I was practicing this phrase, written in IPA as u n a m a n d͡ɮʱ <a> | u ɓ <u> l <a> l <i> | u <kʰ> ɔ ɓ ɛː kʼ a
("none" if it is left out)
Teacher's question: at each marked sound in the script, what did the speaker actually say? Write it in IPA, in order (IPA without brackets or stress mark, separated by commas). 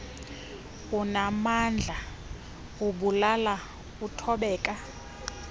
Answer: a, u, a, a, tʰ